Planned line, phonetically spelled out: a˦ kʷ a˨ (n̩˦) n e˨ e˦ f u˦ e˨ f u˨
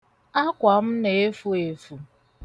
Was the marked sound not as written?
yes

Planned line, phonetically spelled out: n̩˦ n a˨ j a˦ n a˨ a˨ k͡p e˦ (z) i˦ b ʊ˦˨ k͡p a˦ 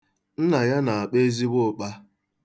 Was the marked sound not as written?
no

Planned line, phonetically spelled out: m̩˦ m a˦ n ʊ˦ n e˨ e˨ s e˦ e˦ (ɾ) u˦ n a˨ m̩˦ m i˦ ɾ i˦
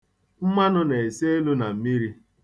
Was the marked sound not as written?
yes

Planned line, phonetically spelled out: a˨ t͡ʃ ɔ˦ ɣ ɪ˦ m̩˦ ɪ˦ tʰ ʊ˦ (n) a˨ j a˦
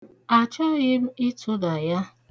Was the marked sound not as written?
yes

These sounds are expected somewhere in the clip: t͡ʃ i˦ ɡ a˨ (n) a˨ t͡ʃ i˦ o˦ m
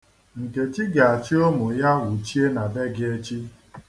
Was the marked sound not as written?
yes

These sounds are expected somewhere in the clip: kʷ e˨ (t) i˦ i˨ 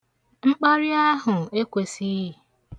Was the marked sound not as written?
yes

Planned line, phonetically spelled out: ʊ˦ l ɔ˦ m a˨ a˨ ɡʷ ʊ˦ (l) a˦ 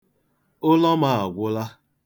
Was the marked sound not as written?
no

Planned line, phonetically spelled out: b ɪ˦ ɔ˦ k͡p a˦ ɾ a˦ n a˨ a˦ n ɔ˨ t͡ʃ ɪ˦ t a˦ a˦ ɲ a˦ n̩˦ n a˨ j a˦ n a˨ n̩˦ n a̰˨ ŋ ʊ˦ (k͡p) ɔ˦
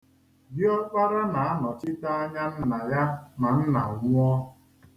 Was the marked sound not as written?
yes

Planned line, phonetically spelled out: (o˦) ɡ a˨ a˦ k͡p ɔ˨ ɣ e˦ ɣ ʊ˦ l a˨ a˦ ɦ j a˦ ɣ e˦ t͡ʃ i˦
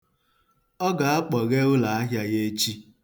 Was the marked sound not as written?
yes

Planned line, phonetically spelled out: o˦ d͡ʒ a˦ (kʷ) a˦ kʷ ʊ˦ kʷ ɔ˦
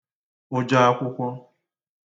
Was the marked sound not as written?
yes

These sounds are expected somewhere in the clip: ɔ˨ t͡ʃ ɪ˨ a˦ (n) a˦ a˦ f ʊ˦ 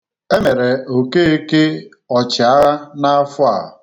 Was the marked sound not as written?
no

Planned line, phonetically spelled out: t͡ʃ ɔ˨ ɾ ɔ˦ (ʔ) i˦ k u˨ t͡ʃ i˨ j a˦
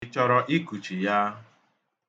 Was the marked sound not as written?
no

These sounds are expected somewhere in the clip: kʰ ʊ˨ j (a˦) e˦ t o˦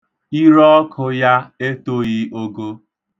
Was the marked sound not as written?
no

